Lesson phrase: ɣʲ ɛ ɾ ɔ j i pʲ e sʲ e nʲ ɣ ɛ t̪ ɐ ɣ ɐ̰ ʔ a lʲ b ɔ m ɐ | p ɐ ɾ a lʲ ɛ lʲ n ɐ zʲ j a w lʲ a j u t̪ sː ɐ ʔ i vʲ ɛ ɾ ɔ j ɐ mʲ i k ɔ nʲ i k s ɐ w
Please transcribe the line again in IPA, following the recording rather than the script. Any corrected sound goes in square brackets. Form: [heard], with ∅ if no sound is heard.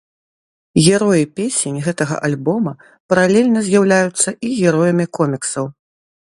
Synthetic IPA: ɣʲ ɛ ɾ ɔ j i pʲ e sʲ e nʲ ɣ ɛ t̪ ɐ ɣ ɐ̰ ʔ a lʲ b ɔ m ɐ | p ɐ ɾ a lʲ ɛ lʲ n ɐ zʲ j a w lʲ a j u t̪ sː ɐ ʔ i [ɣʲ] ɛ ɾ ɔ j ɐ mʲ i k ɔ [mʲ] i k s ɐ w